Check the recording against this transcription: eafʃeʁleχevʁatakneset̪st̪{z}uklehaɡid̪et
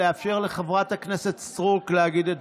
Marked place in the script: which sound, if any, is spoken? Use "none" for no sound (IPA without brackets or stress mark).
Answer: ʁ